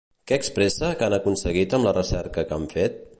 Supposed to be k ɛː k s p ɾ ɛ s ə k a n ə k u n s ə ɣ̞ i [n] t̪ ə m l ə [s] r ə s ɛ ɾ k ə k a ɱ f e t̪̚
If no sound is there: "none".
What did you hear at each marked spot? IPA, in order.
none, none

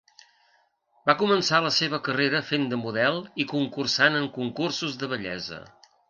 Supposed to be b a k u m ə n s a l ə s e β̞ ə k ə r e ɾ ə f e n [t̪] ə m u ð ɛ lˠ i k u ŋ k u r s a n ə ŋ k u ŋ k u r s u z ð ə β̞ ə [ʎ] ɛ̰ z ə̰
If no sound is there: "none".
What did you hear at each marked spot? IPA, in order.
d̪, ʎ

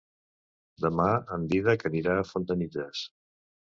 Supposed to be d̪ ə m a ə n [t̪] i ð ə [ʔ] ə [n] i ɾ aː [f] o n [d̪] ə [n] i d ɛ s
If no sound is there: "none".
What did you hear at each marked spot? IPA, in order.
d̪, k, n, f, t̪, n

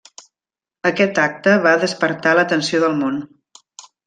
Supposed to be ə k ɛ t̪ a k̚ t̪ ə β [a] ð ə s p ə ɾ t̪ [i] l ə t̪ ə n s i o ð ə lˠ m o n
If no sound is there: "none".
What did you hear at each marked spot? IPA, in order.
a, a

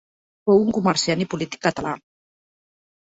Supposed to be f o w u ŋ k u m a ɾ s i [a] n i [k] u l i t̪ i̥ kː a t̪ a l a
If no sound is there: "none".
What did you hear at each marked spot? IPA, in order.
a, p

